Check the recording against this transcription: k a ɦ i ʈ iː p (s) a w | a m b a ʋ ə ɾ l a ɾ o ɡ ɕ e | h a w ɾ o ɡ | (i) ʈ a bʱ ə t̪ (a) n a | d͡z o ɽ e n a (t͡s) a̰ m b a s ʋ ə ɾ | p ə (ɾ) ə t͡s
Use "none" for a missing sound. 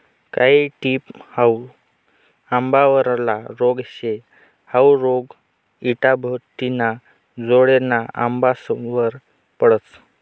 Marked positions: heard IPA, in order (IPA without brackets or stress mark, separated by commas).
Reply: h, i, i, none, ɽ